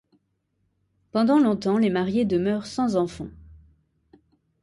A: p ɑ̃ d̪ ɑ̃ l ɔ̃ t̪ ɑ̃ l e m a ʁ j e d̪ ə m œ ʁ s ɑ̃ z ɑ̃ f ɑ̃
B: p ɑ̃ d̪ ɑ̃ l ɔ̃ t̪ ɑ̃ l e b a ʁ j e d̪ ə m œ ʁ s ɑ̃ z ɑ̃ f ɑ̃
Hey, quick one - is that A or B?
A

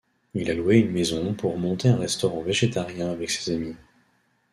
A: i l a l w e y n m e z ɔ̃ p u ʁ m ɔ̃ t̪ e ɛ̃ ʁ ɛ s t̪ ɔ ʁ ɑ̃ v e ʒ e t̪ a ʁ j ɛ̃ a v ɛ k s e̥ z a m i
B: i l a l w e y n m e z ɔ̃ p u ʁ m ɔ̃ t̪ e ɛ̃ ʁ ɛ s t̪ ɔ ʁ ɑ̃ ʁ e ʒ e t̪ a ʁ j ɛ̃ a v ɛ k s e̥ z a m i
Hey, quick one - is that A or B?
A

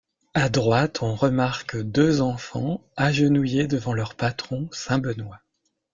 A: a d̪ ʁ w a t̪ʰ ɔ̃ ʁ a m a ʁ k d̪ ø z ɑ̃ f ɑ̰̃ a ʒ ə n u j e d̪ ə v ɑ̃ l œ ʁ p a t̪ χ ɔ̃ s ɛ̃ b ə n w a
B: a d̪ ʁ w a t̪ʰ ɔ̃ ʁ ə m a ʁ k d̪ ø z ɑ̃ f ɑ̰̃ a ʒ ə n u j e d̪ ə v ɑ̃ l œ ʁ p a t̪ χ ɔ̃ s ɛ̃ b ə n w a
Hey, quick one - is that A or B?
B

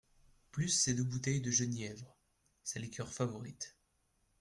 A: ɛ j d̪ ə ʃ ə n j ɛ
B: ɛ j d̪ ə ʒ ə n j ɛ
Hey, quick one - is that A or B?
B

